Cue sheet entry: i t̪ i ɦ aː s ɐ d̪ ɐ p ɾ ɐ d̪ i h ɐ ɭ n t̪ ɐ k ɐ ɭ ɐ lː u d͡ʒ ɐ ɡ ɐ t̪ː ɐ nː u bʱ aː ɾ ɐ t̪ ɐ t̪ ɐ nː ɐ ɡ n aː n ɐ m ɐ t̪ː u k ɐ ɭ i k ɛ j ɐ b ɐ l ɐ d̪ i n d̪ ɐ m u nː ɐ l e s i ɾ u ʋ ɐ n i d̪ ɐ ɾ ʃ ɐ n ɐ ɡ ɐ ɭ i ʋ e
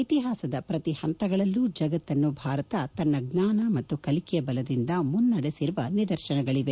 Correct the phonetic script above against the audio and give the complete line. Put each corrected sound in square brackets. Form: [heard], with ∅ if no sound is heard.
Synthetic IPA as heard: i t̪ i ɦ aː s ɐ d̪ ɐ p ɾ ɐ [t̪] i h ɐ [∅] n t̪ ɐ [ɡ] ɐ ɭ ɐ lː u d͡ʒ ɐ ɡ ɐ t̪ː ɐ nː u bʱ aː ɾ ɐ t̪ ɐ t̪ ɐ nː ɐ ɡ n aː n ɐ m ɐ t̪ː u k ɐ [l] i k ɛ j ɐ b ɐ l ɐ d̪ i n d̪ ɐ m u nː ɐ [ɽ] e s i ɾ u ʋ ɐ n i d̪ ɐ ɾ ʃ ɐ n ɐ ɡ ɐ ɭ i ʋ e

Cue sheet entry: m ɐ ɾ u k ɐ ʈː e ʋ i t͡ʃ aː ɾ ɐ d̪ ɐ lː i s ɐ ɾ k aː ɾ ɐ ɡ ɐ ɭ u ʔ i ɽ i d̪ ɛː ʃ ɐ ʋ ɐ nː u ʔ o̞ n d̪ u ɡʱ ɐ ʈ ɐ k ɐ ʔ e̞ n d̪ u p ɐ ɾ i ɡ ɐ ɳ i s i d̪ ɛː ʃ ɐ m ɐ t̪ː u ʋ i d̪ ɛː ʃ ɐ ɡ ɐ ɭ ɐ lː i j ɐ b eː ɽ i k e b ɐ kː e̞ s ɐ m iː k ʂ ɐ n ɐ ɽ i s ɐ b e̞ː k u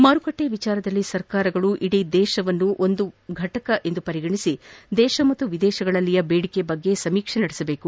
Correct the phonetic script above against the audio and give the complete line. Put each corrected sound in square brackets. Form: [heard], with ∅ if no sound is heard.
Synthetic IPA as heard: m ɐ ɾ u k ɐ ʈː e ʋ i t͡ʃ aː ɾ ɐ d̪ ɐ lː i s ɐ ɾ k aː ɾ ɐ ɡ ɐ ɭ u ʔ i ɽ i d̪ ɛː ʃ ɐ ʋ ɐ nː u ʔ o̞ n d̪ u ɡʱ ɐ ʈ ɐ k ɐ ʔ e̞ n d̪ u p ɐ ɾ i ɡ ɐ ɳ i s i d̪ ɛː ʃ ɐ m ɐ t̪ː u ʋ i d̪ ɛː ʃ ɐ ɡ ɐ ɭ ɐ lː i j ɐ b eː ɽ i k e b ɐ [ɡː] e̞ s ɐ m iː k ʂ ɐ n ɐ ɽ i s ɐ b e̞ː k u

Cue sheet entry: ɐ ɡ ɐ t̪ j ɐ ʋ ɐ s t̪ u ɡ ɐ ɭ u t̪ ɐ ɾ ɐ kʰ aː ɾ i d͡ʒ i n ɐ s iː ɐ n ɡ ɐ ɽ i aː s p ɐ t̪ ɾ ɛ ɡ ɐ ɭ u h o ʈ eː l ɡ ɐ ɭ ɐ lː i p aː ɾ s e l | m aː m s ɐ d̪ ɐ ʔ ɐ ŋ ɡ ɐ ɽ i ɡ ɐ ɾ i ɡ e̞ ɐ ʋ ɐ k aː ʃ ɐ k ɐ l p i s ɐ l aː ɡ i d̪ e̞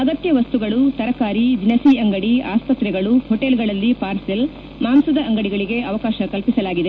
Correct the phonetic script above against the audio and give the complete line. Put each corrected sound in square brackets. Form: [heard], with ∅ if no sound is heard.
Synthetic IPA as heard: ɐ ɡ ɐ t̪ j ɐ ʋ ɐ s t̪ u ɡ ɐ ɭ u t̪ ɐ ɾ ɐ [k] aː ɾ i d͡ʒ i n ɐ s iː ɐ [ŋ] ɡ ɐ ɽ i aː s p ɐ t̪ ɾ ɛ ɡ ɐ ɭ u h o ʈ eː l ɡ ɐ ɭ ɐ lː i p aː ɾ s e l | m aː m s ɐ d̪ ɐ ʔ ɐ ŋ ɡ ɐ ɽ i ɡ ɐ [ɭ] i ɡ e̞ ɐ ʋ ɐ k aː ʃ ɐ k ɐ l p i s ɐ l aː ɡ i d̪ e̞

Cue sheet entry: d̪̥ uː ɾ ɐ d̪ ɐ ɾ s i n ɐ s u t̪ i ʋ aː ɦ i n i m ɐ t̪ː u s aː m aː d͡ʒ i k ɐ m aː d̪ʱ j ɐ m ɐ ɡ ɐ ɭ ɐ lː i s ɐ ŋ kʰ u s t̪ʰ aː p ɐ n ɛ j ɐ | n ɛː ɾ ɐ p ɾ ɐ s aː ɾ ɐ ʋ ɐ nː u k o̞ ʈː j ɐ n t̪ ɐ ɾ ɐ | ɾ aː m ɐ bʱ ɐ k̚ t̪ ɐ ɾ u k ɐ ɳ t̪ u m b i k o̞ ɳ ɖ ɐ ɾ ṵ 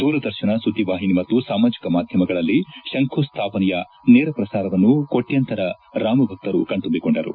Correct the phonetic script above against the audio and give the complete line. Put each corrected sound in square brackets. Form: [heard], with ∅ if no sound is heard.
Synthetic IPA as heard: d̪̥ uː ɾ ɐ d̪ ɐ ɾ [ʃ] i n ɐ s u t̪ i ʋ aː ɦ i n i m ɐ t̪ː u s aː m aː d͡ʒ i k ɐ m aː d̪ʱ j ɐ m ɐ ɡ ɐ ɭ ɐ lː i [ʃ] ɐ ŋ kʰ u s t̪ʰ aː p ɐ n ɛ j ɐ | n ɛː ɾ ɐ p ɾ ɐ s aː ɾ ɐ ʋ ɐ nː u k o̞ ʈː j ɐ n t̪ ɐ ɾ ɐ | ɾ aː m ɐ bʱ ɐ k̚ t̪ ɐ ɾ u k ɐ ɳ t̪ u m b i k o̞ ɳ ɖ ɐ ɾ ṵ

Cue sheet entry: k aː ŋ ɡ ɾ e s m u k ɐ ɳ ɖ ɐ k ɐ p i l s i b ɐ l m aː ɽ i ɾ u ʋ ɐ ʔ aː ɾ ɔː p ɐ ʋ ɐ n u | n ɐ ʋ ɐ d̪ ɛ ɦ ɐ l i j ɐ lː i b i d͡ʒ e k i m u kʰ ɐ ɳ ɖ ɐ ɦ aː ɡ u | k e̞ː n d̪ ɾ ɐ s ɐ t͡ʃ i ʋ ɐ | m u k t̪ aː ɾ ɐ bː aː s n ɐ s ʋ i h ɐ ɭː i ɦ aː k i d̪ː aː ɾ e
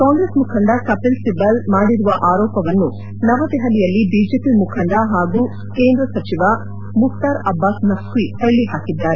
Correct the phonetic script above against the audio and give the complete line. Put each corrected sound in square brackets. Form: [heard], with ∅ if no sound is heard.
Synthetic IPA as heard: k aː ŋ ɡ ɾ e s m u [kʰ] ɐ ɳ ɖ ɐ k ɐ p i l s i b ɐ l m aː ɽ i ɾ u ʋ ɐ ʔ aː ɾ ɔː p ɐ ʋ ɐ [nː] u | n ɐ ʋ ɐ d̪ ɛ ɦ ɐ l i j ɐ lː i b i d͡ʒ e [p] i m u kʰ ɐ ɳ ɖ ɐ ɦ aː ɡ u | k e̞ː n d̪ ɾ ɐ s ɐ t͡ʃ i ʋ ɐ | m u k t̪ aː ɾ ɐ bː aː s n ɐ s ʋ i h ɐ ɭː i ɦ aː k i d̪ː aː ɾ e

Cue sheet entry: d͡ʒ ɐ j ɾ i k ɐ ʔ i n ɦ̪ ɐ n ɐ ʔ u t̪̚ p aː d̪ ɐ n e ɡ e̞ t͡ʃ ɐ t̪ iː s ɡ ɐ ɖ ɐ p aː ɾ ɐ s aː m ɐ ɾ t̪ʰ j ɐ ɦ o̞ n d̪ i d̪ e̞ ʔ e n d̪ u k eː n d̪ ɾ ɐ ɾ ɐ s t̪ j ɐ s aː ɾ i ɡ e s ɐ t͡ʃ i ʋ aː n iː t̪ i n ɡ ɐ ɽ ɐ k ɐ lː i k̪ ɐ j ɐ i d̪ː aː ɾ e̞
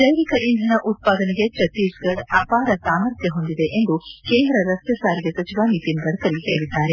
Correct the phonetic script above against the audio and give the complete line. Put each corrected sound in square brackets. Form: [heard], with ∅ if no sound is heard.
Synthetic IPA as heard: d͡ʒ ɐ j ɾ i k ɐ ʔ i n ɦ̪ ɐ n ɐ ʔ u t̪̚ p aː d̪ ɐ n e ɡ e̞ t͡ʃ ɐ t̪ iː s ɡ ɐ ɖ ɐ p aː ɾ ɐ s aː m ɐ ɾ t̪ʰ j ɐ ɦ o̞ n d̪ i d̪ e̞ ʔ e n d̪ u k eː n d̪ ɾ ɐ ɾ ɐ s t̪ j ɐ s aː ɾ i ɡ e s ɐ t͡ʃ i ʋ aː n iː t̪ i n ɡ ɐ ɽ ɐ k ɐ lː i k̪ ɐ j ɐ i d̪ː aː ɾ e̞

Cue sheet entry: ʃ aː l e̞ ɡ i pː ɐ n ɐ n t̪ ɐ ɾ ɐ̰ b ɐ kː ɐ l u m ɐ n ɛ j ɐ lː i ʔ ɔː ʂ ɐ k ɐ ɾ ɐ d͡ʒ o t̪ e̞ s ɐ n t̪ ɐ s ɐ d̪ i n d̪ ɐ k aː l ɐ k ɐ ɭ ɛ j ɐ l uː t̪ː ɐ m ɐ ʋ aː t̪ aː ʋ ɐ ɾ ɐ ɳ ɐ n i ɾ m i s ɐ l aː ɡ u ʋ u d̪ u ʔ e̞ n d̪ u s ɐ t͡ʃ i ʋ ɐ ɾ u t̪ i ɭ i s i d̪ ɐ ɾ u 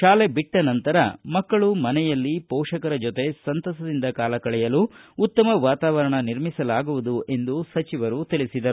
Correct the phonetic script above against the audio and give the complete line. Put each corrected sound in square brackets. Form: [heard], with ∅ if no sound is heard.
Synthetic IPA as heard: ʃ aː l e̞ [b] i [ʈː] ɐ n ɐ n t̪ ɐ ɾ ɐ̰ [m] ɐ kː ɐ [ɭ] u m ɐ n ɛ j ɐ lː i [p] ɔː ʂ ɐ k ɐ ɾ ɐ d͡ʒ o t̪ e̞ s ɐ n t̪ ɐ s ɐ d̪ i n d̪ ɐ k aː l ɐ k ɐ ɭ ɛ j ɐ l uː t̪ː ɐ m ɐ ʋ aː t̪ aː ʋ ɐ ɾ ɐ ɳ ɐ n i ɾ m i s ɐ l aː ɡ u ʋ u d̪ u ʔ e̞ n d̪ u s ɐ t͡ʃ i ʋ ɐ ɾ u t̪ i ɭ i s i d̪ ɐ ɾ u

